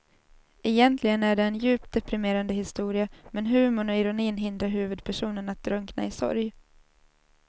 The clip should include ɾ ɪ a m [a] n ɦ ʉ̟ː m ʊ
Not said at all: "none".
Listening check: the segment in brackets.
ɛ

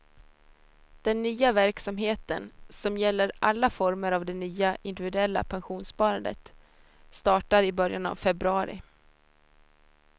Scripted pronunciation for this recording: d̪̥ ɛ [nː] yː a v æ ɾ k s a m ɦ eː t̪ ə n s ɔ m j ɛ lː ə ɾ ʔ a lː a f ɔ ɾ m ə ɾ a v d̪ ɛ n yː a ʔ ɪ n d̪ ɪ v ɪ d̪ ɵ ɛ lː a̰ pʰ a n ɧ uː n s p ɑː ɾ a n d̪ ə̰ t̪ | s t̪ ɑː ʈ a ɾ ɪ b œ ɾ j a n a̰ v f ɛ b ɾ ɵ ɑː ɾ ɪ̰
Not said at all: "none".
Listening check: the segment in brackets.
nː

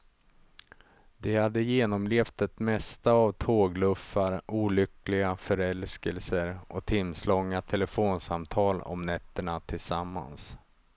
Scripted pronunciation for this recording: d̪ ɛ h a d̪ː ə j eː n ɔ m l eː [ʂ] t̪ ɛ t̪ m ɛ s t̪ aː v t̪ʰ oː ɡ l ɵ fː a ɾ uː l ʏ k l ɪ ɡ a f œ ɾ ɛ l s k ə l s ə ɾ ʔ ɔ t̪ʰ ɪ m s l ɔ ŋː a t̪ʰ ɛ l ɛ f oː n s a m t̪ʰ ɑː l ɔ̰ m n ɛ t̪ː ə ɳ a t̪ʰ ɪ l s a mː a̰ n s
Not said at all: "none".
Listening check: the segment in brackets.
f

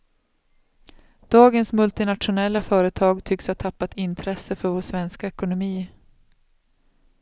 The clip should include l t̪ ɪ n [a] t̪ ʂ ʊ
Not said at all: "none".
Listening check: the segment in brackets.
a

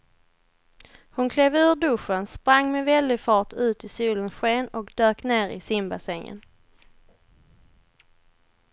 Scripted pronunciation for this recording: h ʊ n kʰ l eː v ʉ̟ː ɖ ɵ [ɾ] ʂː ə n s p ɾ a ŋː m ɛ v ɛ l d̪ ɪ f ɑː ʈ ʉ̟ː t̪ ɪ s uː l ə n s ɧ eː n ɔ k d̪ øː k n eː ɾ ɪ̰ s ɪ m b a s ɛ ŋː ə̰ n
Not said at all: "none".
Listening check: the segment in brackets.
none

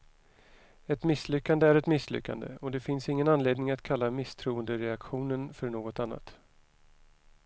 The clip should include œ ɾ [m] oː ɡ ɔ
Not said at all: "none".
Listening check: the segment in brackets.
ɳ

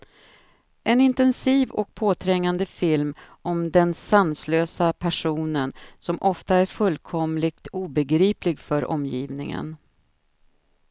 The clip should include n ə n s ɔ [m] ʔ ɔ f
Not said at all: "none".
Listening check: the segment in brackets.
m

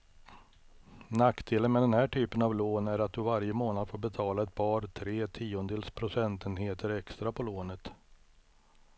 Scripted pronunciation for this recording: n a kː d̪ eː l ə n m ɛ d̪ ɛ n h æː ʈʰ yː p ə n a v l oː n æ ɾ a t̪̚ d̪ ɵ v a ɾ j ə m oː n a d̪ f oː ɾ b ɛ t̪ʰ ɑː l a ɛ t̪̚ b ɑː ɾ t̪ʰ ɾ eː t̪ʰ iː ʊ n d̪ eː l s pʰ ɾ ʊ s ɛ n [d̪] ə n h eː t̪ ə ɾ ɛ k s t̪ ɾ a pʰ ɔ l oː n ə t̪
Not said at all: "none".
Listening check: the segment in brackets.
t̪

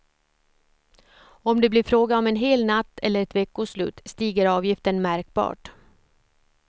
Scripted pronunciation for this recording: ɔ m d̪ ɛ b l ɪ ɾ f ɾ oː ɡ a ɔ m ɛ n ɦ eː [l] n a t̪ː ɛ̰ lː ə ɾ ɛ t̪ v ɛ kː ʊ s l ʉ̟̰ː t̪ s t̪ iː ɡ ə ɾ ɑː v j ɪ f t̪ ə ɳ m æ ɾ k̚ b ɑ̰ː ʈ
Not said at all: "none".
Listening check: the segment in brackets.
l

